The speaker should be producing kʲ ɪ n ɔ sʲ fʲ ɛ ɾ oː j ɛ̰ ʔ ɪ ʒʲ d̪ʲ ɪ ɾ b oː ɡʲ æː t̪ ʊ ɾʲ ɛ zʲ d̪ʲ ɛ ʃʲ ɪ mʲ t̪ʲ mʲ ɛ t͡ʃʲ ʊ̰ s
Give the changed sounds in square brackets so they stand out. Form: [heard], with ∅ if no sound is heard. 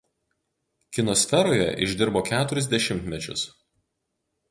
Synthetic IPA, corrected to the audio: kʲ ɪ n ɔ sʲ fʲ ɛ ɾ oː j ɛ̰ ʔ ɪ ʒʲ d̪ʲ ɪ ɾ b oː [kʲ] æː t̪ ʊ ɾʲ ɛ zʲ d̪ʲ ɛ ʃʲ ɪ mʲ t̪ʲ mʲ ɛ t͡ʃʲ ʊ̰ s